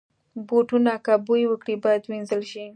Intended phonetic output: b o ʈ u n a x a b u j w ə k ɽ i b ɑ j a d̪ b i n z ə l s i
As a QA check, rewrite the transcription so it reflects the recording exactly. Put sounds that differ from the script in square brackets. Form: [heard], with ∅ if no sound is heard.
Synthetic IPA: b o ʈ u n a [k] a b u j w ə k ɽ i b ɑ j a d̪ [w] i n z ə l [ʃ] i